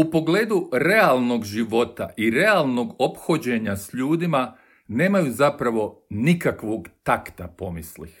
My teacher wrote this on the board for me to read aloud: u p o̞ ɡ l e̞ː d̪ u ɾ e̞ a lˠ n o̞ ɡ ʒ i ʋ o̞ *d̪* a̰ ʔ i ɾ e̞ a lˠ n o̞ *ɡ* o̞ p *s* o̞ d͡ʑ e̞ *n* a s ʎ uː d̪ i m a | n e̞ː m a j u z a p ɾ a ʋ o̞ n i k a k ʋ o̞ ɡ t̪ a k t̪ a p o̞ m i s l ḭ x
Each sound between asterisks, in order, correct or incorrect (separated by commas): incorrect, correct, incorrect, incorrect